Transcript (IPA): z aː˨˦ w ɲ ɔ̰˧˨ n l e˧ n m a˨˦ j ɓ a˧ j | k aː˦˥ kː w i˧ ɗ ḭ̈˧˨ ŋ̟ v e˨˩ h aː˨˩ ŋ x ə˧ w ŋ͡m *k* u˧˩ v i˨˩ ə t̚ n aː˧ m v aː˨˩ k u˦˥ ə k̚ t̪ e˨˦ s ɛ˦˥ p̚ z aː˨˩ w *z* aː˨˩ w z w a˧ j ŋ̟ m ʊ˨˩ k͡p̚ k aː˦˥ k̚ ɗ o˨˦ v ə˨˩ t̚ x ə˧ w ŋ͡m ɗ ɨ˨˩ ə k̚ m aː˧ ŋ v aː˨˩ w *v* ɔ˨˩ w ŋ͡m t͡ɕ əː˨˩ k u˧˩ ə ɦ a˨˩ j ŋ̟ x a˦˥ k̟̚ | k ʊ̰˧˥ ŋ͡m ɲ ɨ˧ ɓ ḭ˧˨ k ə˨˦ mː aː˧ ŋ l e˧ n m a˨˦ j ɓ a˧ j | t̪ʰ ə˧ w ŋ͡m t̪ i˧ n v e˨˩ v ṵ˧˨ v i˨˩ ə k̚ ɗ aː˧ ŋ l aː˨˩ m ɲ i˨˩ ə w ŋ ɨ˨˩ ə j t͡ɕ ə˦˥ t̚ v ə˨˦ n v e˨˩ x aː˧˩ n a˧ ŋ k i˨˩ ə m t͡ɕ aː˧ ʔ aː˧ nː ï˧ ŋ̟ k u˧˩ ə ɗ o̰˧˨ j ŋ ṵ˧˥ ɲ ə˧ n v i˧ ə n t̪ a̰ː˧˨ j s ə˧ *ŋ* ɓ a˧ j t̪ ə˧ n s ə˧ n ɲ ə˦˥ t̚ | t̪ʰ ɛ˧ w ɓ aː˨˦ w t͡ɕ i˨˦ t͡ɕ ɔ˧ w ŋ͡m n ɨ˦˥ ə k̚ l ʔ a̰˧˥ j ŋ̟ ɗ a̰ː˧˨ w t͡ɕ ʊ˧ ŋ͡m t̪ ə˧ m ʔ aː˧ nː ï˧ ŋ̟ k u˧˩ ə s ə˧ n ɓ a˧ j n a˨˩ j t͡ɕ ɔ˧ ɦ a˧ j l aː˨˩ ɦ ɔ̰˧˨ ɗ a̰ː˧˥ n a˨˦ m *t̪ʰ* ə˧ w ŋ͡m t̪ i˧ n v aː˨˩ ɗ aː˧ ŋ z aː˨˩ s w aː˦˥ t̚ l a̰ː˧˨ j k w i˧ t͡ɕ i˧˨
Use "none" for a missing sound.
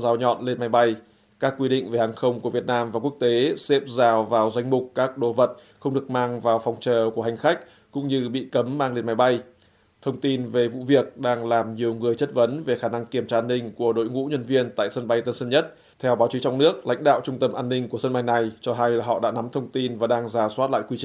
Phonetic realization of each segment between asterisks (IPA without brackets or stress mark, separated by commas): k, v, f, n, t̪ʰ